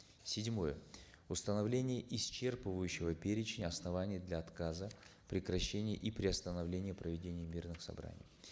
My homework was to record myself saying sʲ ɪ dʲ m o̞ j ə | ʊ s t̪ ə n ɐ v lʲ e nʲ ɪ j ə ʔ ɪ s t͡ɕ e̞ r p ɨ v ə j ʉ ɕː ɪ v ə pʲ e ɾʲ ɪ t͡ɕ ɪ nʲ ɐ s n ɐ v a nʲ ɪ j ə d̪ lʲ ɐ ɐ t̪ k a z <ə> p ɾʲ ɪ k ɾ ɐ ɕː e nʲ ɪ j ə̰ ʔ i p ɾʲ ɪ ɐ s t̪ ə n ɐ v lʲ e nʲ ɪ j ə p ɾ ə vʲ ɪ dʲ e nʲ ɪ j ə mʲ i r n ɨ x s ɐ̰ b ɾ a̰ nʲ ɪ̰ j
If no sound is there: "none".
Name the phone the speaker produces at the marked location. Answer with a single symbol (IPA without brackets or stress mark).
ə